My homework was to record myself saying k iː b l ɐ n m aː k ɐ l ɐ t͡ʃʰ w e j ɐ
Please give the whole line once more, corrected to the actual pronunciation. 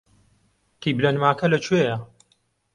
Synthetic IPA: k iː b l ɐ n m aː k ɐ l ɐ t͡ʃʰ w e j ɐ